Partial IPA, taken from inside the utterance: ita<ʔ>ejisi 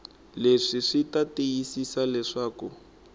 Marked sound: incorrect: t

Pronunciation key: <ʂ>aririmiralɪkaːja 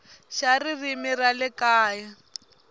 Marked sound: incorrect: ʃ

